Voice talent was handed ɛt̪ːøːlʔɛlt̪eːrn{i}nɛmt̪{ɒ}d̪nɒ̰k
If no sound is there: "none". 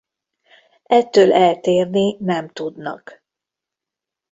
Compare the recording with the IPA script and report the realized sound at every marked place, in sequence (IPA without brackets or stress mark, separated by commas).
i, u